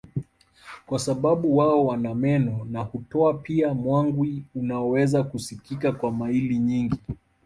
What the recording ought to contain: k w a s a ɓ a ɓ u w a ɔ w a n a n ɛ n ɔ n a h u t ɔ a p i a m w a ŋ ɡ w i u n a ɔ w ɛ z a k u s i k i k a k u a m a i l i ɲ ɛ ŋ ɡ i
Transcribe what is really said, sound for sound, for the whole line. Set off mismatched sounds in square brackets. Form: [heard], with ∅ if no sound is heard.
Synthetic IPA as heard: k w a s a ɓ a ɓ u w a ɔ w a n a [m] ɛ n ɔ n a h u t ɔ a p i a m w a ŋ ɡ w i u n a ɔ w ɛ z a k u s i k i k a k [w] a m a i l i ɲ [i] ŋ ɡ i